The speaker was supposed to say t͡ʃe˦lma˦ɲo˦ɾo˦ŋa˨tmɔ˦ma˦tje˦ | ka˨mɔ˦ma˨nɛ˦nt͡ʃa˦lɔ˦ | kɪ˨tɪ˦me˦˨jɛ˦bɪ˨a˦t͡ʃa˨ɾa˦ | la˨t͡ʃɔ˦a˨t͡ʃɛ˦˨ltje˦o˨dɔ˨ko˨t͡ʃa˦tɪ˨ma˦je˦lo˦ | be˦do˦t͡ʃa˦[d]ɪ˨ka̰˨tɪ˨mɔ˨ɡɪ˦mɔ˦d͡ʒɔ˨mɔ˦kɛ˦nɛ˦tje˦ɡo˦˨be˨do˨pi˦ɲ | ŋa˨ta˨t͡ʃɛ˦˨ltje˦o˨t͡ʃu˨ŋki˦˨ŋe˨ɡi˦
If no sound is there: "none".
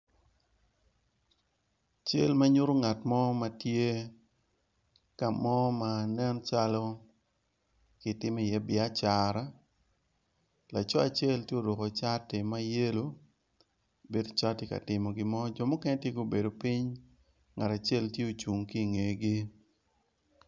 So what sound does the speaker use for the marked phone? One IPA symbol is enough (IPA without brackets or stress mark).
t